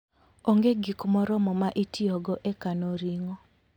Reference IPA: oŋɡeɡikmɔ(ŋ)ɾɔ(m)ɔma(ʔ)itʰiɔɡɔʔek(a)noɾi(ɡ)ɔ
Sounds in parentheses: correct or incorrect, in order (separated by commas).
incorrect, correct, correct, correct, incorrect